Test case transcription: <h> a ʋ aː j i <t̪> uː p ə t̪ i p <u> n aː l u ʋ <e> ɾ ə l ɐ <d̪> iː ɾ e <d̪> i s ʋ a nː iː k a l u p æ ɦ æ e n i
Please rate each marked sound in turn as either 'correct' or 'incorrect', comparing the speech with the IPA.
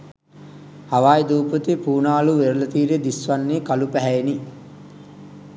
correct, incorrect: d̪, incorrect: uː, correct, incorrect: t̪, correct

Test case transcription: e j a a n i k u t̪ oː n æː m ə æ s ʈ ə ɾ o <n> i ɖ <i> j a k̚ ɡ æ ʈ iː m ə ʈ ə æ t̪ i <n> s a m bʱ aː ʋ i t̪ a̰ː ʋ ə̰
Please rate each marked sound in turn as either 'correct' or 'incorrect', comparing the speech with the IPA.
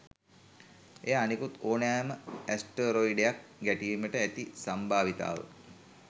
incorrect: none, incorrect: e, incorrect: none

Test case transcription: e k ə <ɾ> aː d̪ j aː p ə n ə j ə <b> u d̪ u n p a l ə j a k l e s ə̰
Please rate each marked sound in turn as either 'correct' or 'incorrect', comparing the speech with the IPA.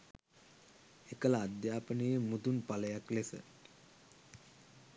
incorrect: l, incorrect: m

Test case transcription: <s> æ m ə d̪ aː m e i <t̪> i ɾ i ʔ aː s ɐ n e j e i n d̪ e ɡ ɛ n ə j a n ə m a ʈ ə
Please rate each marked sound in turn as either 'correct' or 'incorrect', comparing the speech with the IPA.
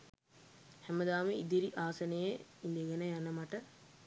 incorrect: h, incorrect: d̪

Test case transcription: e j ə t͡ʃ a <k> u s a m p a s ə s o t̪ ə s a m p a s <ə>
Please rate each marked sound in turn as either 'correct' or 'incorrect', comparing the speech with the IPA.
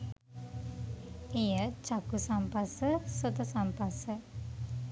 correct, correct

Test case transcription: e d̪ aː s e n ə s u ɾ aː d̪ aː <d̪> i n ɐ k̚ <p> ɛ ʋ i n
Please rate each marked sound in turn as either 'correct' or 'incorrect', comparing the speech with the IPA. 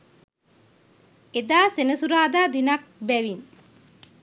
correct, incorrect: b

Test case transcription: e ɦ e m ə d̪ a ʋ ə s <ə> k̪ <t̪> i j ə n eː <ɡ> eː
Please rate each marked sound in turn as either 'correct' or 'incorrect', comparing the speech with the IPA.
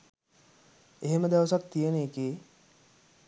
incorrect: a, correct, incorrect: k

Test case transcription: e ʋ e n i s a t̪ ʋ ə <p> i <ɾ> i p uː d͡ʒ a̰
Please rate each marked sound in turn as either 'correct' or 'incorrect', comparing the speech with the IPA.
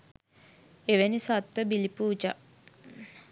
incorrect: b, incorrect: l

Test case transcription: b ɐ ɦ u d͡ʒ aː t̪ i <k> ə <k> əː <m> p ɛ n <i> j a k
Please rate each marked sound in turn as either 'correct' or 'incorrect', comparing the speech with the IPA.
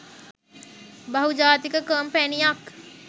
correct, correct, correct, correct

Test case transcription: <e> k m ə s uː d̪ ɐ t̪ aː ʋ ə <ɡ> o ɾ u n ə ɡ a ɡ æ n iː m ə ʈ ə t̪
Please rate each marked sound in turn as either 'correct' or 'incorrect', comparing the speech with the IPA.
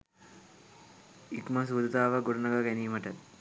incorrect: i, correct

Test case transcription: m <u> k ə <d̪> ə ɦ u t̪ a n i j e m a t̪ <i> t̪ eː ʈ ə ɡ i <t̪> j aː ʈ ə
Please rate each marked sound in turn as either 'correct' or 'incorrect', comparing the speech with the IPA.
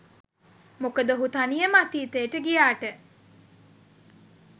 incorrect: o, correct, incorrect: iː, incorrect: none

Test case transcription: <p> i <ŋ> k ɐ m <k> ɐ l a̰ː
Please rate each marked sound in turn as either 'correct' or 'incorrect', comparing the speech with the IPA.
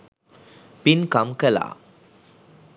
correct, incorrect: n, correct

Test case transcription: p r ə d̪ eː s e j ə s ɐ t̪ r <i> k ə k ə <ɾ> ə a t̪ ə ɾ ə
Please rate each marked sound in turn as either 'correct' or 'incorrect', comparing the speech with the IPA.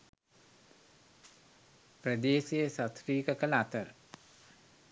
incorrect: iː, incorrect: l

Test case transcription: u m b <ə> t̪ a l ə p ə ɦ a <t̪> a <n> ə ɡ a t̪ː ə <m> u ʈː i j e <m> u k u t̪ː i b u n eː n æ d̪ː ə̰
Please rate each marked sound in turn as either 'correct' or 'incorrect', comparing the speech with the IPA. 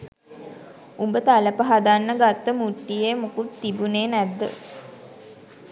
correct, incorrect: d̪, incorrect: nː, correct, correct

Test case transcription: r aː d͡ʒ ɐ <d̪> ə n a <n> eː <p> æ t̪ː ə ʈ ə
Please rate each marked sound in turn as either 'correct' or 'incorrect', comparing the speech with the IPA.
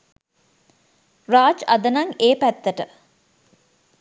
correct, incorrect: ŋ, correct

